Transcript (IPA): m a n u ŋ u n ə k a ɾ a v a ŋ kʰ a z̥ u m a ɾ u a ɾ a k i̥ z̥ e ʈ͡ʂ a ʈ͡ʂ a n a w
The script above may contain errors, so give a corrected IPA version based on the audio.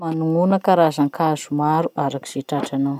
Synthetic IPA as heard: m a n u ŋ u n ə k a ɾ a z a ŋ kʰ a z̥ u m a ɾ u a ɾ a k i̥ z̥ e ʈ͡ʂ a ʈ͡ʂ a n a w